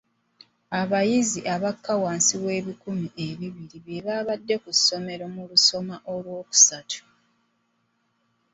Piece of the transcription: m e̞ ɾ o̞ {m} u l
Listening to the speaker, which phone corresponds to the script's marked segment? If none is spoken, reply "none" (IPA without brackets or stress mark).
m